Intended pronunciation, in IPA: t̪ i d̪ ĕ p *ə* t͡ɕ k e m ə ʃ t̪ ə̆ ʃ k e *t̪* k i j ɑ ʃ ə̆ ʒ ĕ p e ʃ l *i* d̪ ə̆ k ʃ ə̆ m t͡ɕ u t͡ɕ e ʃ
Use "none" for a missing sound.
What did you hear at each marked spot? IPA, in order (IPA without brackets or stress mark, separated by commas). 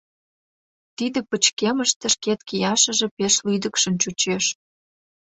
ə, t̪, y